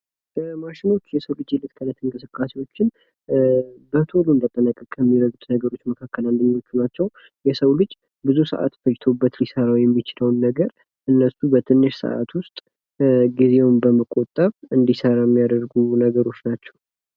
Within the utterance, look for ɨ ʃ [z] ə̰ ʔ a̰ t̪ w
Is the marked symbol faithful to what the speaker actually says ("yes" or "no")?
no